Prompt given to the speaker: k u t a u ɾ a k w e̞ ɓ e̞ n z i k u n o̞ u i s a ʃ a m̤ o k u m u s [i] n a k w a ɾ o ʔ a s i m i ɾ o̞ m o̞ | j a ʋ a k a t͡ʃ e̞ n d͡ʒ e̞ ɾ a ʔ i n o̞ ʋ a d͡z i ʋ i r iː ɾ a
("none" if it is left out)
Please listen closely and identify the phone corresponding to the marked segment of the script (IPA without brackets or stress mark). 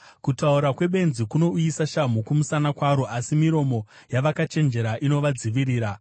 a